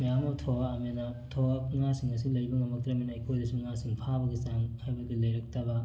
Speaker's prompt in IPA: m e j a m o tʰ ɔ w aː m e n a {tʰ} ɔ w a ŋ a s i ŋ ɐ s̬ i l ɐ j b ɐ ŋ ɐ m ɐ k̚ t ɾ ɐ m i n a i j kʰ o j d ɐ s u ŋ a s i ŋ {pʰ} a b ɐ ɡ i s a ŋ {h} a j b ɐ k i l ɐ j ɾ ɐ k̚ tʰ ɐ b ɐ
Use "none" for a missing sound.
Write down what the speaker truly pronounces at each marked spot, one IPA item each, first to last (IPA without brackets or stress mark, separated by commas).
tʰ, pʰ, h